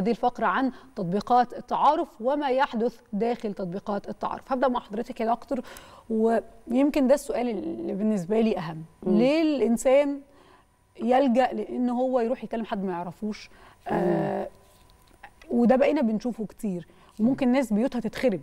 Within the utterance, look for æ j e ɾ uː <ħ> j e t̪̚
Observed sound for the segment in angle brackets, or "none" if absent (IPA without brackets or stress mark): ħ